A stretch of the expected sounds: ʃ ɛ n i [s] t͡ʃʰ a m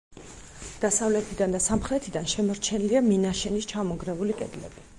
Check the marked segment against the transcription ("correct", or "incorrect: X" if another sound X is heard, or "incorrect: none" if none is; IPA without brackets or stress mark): correct